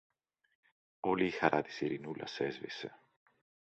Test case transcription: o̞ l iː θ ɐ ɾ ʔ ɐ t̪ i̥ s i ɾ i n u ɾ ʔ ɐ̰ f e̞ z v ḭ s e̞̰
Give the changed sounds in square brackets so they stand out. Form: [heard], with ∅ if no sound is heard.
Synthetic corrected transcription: o̞ l iː [x] ɐ ɾ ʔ ɐ t̪ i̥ s i ɾ i n u [l] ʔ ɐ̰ [s] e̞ z v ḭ s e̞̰